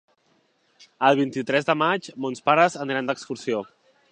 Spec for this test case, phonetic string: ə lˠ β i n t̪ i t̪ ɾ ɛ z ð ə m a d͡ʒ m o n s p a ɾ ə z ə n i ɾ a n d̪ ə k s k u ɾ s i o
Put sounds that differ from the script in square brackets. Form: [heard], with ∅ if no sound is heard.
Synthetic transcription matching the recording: ə lˠ β i n t̪ i t̪ ɾ ɛ z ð ə m a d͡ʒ m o n s p a ɾ ə z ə n i ɾ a n d̪ ə k s k u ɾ s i o